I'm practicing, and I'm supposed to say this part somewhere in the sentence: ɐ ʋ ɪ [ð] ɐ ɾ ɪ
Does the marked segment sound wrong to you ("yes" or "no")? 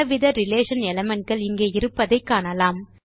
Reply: no